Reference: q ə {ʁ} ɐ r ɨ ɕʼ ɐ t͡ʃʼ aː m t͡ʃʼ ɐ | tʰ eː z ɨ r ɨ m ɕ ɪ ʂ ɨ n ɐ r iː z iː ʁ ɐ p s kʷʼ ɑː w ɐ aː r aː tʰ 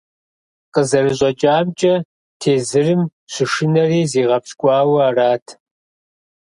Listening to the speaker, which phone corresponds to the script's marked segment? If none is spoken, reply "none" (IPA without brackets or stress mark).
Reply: z